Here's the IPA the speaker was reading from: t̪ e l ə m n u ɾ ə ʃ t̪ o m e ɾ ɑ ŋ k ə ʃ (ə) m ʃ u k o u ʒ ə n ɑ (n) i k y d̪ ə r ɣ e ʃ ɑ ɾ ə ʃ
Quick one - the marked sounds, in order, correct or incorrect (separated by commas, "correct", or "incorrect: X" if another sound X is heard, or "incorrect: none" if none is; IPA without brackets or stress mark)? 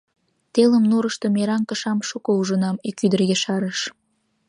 incorrect: ɑ, incorrect: m